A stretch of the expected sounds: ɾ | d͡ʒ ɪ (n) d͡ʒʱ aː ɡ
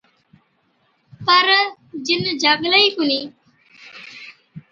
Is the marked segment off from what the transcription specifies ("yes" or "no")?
no